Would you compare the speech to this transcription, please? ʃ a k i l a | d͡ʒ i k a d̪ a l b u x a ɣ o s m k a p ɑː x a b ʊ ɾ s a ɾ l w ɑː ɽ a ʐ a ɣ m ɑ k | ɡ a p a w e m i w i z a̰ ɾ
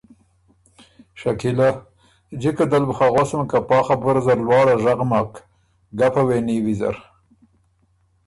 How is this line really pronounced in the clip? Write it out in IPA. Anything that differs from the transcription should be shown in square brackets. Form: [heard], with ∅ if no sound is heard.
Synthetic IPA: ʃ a k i l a | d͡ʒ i k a d̪ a l b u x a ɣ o s m k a p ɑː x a b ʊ ɾ [z] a ɾ l w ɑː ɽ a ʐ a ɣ m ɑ k | ɡ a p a w e [n] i w i z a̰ ɾ

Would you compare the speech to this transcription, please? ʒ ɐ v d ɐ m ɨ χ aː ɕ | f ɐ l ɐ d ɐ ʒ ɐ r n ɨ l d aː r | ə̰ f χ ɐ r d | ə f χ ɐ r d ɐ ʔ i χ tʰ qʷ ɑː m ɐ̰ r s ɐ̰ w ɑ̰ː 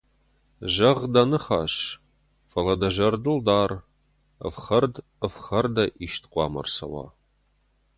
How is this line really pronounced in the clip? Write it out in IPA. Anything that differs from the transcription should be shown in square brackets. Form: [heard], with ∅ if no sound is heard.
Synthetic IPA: ʒ ɐ [ʁ] d ɐ [n] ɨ χ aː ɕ | f ɐ l ɐ d ɐ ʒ ɐ r [d] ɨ l d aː r | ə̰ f χ ɐ r d | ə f χ ɐ r d ɐ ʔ i [ʃ] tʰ qʷ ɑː m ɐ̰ r s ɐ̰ w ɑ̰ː

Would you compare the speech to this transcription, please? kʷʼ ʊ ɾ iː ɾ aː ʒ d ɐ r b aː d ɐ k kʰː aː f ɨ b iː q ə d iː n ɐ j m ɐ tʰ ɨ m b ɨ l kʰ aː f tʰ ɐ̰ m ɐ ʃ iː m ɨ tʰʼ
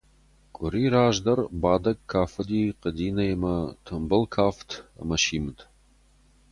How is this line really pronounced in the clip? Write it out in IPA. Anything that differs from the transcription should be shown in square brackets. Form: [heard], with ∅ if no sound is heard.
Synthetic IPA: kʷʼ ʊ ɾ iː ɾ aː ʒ d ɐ r b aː d ɐ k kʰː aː f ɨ [d] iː q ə d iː n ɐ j m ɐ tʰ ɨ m b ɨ l kʰ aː f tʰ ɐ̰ m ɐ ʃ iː m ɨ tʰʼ

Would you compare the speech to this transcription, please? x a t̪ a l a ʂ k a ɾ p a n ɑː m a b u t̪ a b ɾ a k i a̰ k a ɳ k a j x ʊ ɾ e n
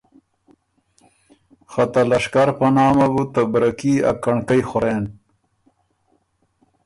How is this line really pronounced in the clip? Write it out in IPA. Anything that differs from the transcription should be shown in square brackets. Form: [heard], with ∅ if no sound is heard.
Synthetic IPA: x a t̪ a l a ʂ k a ɾ p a n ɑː m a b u t̪ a b ɾ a k i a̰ k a ɳ k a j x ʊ ɾ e n

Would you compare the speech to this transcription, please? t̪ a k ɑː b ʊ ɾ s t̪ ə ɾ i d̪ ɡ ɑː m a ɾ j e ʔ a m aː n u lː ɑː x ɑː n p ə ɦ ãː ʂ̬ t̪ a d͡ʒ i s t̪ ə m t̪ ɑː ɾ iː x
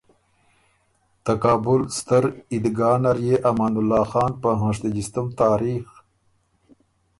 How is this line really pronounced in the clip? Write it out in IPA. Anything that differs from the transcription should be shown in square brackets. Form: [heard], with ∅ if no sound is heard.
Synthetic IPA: t̪ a k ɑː b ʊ [l] s t̪ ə ɾ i d̪ ɡ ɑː [n] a ɾ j e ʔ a m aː n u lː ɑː x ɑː n p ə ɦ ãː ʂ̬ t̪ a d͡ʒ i s t̪ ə m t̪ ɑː ɾ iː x

